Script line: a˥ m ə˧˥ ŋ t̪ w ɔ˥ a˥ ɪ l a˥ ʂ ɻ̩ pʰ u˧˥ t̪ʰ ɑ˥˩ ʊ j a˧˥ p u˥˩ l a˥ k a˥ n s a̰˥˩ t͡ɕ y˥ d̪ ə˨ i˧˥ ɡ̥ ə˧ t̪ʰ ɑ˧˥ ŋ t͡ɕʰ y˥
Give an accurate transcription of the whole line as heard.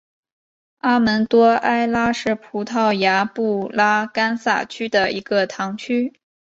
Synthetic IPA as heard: a˥ m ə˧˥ n t̪ w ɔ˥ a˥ ɪ l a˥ ʂ ɻ̩ pʰ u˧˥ t̪ʰ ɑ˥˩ ʊ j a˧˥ p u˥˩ l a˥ k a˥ n s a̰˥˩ t͡ɕʰ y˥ d̪ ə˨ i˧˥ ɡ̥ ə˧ t̪ʰ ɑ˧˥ ŋ t͡ɕʰ y˥